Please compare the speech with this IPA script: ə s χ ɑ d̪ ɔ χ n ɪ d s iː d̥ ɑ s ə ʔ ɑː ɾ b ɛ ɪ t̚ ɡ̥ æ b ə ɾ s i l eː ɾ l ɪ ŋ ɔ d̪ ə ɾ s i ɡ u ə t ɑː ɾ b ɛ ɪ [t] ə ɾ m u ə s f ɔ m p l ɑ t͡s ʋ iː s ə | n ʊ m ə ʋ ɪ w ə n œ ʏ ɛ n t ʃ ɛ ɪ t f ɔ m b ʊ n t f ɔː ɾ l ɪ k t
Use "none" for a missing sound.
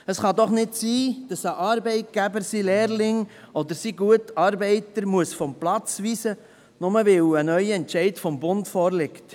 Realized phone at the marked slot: t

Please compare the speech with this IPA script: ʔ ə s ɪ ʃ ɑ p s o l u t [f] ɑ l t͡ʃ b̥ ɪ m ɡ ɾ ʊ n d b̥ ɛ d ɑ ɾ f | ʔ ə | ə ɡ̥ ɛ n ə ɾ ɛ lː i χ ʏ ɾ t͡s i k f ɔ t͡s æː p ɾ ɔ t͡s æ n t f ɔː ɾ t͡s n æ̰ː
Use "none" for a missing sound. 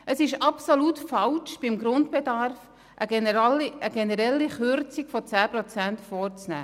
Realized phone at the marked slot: f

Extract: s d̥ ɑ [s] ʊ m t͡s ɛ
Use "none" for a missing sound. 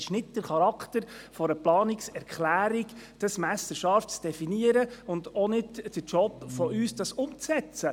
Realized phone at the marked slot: s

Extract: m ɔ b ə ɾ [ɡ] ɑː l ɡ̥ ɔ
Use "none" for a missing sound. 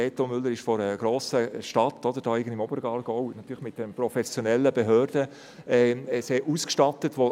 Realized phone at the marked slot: ɡ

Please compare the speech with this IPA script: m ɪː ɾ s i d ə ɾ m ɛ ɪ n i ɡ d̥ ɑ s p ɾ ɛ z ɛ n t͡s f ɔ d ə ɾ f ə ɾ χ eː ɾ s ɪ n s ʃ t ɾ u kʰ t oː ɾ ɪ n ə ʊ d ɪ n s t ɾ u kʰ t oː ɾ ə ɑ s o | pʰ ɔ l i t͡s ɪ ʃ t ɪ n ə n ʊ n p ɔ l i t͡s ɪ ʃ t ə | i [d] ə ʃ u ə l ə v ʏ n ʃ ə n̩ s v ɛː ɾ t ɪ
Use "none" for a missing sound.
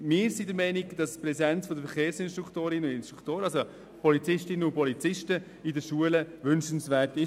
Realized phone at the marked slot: d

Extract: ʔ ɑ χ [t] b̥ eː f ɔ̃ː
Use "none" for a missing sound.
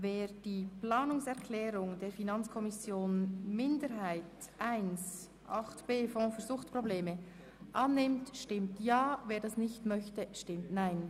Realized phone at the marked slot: t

